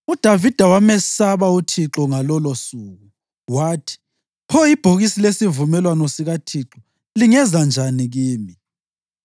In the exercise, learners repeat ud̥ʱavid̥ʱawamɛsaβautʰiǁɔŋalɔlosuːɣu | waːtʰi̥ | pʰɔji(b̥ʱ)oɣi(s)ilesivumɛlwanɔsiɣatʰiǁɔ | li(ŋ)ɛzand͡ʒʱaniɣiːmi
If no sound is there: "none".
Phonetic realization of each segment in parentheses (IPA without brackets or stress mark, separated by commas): b̥ʱ, s, ŋ